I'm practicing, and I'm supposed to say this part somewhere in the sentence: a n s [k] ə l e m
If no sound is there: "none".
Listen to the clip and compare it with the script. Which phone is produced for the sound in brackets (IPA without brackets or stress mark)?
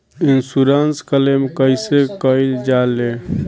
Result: k